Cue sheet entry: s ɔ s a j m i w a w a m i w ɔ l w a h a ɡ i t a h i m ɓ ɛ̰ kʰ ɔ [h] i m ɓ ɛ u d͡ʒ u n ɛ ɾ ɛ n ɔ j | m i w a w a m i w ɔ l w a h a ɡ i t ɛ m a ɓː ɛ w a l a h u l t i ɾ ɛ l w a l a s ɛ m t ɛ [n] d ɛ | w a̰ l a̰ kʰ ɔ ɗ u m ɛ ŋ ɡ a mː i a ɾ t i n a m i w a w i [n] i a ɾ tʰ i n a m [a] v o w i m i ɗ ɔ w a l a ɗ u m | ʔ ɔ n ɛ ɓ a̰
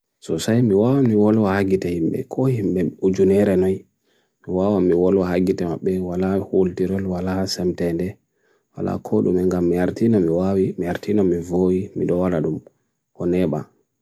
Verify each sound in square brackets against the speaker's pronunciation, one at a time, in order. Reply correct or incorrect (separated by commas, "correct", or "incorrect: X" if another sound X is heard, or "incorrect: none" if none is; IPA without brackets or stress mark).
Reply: correct, correct, incorrect: m, incorrect: i